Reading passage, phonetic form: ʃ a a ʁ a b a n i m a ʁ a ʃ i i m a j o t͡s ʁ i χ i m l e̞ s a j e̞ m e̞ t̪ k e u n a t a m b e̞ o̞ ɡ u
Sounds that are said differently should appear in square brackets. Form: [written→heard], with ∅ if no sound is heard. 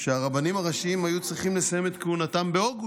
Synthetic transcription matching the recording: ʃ [a→e] a ʁ a b a n i m a ʁ a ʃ i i m a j [o→u] t͡s ʁ i χ i m l e̞ s a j e̞ m e̞ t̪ k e u n a t a m b e̞ o̞ ɡ u